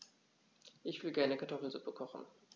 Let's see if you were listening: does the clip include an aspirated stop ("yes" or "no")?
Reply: yes